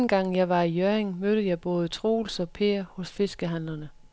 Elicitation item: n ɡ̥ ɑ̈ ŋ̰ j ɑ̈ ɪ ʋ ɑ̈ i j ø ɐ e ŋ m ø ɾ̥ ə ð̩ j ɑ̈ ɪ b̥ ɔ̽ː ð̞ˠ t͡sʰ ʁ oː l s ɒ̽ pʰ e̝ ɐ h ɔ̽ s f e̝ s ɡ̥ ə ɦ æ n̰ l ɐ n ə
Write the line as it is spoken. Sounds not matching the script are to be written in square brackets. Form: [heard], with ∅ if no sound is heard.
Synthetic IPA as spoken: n ɡ̥ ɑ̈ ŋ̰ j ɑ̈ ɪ ʋ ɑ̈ i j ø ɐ e ŋ m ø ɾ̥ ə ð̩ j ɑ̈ ɪ b̥ ɔ̽ː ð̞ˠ t͡sʰ ʁ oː l s ɒ̽ pʰ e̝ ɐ h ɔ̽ s f e̝ s ɡ̥ ə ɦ æ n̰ l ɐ n ə